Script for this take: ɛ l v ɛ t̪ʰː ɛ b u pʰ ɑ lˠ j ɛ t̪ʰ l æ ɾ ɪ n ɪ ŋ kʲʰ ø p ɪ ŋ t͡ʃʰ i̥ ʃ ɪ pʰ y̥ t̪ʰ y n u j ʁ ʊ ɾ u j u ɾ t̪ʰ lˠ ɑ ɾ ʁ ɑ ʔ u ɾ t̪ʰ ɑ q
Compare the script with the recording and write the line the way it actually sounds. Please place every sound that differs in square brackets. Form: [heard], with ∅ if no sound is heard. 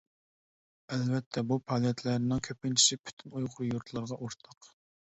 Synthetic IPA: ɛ l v ɛ t̪ʰː ɛ b u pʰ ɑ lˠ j ɛ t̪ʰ l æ ɾ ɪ n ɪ ŋ kʲʰ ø p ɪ [n] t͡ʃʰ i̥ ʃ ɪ pʰ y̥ t̪ʰ y n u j ʁ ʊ ɾ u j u ɾ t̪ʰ lˠ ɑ ɾ ʁ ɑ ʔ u ɾ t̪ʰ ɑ q